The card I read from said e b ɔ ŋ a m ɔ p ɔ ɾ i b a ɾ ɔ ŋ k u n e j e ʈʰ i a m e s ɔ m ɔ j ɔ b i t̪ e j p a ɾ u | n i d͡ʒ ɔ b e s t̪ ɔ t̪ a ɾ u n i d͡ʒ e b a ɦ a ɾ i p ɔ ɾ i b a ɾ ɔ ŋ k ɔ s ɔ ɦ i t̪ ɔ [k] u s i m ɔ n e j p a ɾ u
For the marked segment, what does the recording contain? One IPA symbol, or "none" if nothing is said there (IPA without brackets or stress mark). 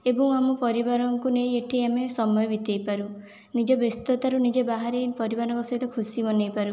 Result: kʰ